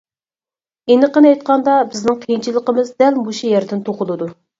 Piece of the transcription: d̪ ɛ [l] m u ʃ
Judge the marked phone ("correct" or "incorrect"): correct